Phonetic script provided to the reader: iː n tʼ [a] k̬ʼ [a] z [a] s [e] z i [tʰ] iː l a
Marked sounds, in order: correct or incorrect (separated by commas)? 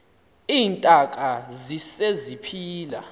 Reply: correct, correct, incorrect, correct, incorrect